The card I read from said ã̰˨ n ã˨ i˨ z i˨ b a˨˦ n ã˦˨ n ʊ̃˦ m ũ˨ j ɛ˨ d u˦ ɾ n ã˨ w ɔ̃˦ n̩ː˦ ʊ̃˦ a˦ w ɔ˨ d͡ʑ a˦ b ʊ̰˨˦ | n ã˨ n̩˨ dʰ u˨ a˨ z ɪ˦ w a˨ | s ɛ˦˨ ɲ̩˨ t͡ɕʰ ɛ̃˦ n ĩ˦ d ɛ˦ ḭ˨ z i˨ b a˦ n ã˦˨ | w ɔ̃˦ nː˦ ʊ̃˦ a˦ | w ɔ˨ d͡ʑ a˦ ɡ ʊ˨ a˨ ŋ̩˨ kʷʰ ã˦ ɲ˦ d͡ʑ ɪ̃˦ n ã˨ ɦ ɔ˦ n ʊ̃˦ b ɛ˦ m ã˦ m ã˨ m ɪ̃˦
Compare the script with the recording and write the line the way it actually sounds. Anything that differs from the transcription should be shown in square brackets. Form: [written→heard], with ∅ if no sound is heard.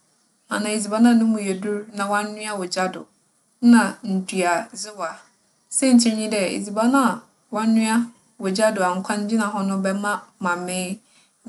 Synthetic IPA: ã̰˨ n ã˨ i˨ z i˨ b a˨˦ n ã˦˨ n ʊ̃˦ m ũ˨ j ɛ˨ d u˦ ɾ n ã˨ w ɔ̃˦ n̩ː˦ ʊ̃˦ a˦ w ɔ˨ d͡ʑ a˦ [b→d] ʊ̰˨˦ | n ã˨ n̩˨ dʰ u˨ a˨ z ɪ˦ w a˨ | s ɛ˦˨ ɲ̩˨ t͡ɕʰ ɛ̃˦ [n→ɲ] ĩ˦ d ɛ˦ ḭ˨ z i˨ b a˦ n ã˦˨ | w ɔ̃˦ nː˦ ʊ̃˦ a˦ | w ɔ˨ d͡ʑ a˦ [ɡ→d] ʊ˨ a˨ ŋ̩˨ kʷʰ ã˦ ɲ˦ d͡ʑ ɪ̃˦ n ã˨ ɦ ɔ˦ n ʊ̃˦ b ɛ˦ m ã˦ m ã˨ m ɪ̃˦